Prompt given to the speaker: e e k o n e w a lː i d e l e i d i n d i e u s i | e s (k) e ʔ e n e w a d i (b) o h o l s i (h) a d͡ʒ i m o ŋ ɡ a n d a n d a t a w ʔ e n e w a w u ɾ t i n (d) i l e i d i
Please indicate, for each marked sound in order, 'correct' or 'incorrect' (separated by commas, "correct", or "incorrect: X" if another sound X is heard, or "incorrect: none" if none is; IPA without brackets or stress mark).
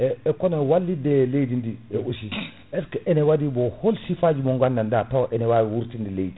correct, correct, incorrect: f, correct